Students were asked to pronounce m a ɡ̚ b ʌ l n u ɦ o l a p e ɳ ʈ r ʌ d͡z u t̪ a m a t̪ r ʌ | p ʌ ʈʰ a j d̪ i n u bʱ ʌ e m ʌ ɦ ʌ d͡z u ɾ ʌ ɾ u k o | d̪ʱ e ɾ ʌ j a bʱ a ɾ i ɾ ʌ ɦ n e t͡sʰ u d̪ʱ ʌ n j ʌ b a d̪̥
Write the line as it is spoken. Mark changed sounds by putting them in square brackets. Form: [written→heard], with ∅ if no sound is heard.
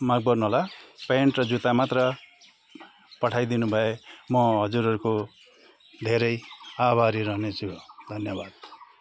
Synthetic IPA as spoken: m a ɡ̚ b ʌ [l→r] n u ɦ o l a p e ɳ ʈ r ʌ d͡z u t̪ a m a t̪ r ʌ | p ʌ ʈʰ a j d̪ i n u bʱ ʌ e m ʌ ɦ ʌ d͡z u ɾ ʌ ɾ u k o | d̪ʱ e ɾ ʌ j a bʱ a ɾ i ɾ ʌ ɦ n e t͡sʰ u d̪ʱ ʌ n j ʌ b a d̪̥